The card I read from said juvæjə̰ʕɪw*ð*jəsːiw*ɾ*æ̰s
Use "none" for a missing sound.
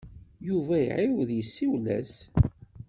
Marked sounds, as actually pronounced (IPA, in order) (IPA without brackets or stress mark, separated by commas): ð, l